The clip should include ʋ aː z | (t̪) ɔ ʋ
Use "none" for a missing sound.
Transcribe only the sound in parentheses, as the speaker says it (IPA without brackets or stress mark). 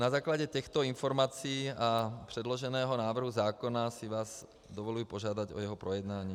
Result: d̪